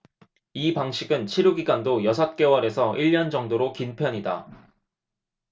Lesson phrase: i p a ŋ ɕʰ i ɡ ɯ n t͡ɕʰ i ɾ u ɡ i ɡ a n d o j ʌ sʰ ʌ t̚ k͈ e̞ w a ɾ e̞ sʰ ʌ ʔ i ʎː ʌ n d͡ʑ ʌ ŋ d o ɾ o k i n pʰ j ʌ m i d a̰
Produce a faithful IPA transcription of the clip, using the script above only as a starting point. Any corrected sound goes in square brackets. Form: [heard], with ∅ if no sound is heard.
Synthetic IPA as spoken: i p a ŋ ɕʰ i ɡ ɯ n t͡ɕʰ i ɾ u ɡ i ɡ a n d o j ʌ sʰ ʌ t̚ k͈ e̞ w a ɾ e̞ sʰ ʌ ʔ i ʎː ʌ n d͡ʑ ʌ ŋ d o ɾ o k i n pʰ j ʌ [ɲ] i d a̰